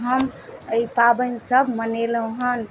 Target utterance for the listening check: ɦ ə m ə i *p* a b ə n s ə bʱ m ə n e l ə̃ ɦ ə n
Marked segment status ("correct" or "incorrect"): correct